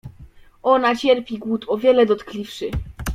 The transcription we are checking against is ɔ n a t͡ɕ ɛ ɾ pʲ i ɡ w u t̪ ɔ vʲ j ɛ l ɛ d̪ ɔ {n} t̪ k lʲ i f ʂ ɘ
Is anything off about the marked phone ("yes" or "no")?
yes